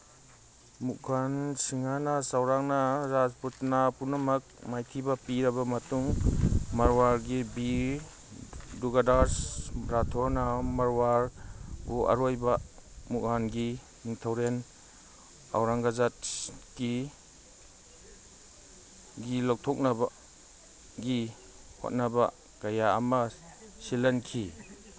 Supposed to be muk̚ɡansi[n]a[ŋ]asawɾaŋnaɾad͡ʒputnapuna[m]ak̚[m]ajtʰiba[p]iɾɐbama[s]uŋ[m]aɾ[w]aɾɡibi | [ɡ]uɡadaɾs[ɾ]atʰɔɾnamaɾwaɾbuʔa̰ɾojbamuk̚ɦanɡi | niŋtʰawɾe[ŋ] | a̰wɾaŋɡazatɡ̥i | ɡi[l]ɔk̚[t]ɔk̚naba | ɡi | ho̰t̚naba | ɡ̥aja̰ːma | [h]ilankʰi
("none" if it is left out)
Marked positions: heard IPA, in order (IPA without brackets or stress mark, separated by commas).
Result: ŋ, n, m, m, p, t, m, w, d, ɾ, n, l, tʰ, s